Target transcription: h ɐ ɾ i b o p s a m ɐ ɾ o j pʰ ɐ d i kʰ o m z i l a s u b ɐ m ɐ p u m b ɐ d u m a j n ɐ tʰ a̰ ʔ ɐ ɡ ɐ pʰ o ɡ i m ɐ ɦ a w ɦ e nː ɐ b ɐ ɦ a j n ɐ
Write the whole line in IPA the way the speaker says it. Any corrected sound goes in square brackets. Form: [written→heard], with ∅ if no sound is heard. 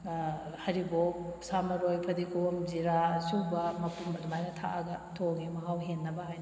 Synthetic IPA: h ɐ ɾ i b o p s a m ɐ ɾ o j pʰ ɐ d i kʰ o m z i [l→ɾ] a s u b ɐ m ɐ p u m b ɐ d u m a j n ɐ tʰ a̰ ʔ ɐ ɡ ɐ [pʰ→tʰ] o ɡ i m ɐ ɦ a w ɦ e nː ɐ b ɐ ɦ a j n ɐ